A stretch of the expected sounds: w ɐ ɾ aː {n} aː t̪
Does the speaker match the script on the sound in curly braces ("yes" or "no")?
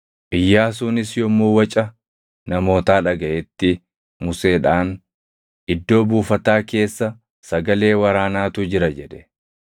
yes